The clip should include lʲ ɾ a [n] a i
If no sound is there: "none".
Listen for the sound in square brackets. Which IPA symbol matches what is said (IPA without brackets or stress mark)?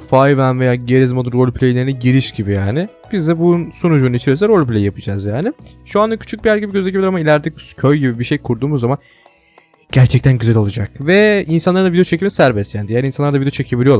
m